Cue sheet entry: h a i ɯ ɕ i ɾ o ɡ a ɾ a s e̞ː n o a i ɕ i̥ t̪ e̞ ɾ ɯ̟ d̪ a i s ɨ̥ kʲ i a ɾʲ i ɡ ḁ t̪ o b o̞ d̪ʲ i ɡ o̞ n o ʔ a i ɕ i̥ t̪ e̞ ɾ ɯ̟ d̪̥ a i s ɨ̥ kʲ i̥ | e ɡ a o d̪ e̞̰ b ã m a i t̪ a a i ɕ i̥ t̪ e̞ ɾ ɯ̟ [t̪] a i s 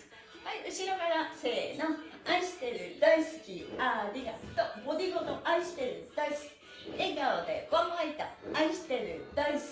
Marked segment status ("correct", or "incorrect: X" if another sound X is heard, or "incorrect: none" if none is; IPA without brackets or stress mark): incorrect: d̪